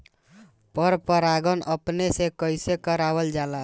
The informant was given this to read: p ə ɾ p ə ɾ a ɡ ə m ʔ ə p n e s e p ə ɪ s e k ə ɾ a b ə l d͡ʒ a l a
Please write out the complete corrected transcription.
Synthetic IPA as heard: p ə ɾ p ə ɾ a ɡ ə n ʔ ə p n e s e k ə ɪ s e k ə ɾ a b ə l d͡ʒ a l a